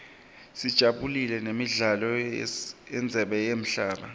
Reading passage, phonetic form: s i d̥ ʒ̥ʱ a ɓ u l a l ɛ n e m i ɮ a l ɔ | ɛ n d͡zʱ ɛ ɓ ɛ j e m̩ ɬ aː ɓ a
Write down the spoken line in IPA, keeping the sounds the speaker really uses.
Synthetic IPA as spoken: s i d̥ ʒ̥ʱ a ɓ u l i l ɛ n e m i ɮ a l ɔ | ɛ n d͡zʱ ɛ ɓ ɛ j e m̩ ɬ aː ɓ a